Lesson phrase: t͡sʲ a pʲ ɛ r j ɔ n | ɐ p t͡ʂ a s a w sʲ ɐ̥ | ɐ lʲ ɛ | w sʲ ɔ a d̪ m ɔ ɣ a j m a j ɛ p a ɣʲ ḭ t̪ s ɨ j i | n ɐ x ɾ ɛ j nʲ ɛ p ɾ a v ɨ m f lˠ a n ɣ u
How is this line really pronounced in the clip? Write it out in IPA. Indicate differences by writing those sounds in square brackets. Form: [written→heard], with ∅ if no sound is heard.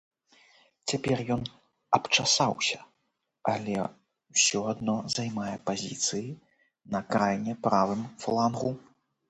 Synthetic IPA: t͡sʲ a pʲ ɛ r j ɔ n | ɐ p t͡ʂ a s a w sʲ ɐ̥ | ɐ lʲ ɛ | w sʲ ɔ a d̪ [m→n] ɔ [ɣ→z] a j m a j ɛ p a [ɣʲ→zʲ] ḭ t̪ s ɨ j i | n ɐ [x→k] ɾ [ɛ→a] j nʲ ɛ p ɾ a v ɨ m f lˠ a n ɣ u